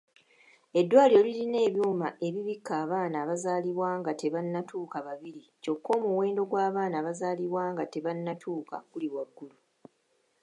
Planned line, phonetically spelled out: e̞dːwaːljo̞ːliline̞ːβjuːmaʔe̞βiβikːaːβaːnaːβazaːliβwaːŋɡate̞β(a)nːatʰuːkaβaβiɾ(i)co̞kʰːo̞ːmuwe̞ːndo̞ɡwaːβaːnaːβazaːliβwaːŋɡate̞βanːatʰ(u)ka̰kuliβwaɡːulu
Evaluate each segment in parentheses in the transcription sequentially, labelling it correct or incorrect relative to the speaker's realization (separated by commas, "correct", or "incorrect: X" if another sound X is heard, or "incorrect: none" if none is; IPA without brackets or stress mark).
correct, correct, incorrect: uː